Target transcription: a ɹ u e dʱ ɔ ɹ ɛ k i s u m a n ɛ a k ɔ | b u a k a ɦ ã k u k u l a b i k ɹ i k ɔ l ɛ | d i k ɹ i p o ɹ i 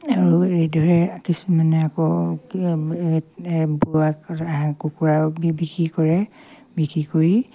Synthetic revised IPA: a ɹ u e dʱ ɔ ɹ ɛ k i s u m a n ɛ a k ɔ | b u a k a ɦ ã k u k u ɹ a b i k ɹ i k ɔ ɹ ɛ | b i k ɹ i k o ɹ i